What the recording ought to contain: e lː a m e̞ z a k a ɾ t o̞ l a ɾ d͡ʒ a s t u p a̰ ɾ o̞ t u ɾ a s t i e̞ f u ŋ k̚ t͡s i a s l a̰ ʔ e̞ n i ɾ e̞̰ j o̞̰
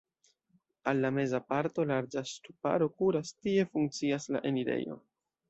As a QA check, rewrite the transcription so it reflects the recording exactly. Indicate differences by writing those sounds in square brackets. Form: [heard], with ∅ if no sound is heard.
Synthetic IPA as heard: [a] lː a m e̞ z a [p] a ɾ t o̞ l a ɾ d͡ʒ a s t u p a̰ ɾ o̞ [k] u ɾ a s t i e̞ f u ŋ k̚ t͡s i a s l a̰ ʔ e̞ n i ɾ e̞̰ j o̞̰